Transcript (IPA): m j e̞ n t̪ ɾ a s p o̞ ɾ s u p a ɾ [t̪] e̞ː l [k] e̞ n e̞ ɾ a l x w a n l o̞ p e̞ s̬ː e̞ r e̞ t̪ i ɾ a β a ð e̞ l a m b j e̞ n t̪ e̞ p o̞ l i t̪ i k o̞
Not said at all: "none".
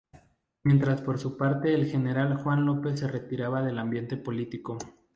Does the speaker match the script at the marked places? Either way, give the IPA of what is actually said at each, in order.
t̪, x

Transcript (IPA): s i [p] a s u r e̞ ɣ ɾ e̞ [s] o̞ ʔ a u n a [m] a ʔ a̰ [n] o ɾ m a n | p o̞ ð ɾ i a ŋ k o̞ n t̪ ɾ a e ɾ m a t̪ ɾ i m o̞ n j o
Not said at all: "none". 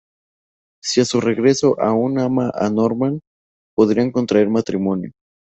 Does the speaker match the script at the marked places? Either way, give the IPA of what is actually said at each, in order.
none, s, m, n

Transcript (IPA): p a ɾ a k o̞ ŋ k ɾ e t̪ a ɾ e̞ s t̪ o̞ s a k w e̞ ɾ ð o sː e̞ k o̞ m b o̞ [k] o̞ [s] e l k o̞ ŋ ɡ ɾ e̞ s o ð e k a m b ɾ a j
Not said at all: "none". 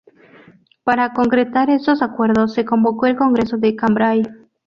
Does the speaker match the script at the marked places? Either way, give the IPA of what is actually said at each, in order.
k, none

